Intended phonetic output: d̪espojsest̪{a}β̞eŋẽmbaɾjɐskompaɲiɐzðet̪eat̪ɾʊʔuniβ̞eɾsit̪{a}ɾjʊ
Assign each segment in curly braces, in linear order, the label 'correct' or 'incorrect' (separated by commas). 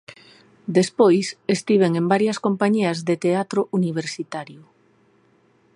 incorrect, correct